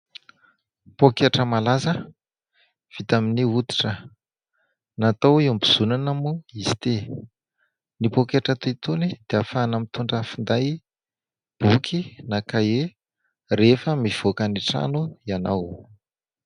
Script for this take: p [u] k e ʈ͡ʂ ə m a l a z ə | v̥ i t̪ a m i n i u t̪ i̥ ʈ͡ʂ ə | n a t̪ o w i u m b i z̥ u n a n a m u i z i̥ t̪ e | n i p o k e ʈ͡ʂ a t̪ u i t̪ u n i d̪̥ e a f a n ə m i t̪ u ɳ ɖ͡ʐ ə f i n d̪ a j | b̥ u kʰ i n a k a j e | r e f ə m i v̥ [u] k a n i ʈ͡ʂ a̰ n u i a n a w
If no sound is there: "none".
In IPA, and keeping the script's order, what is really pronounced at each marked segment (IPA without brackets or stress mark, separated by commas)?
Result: o, o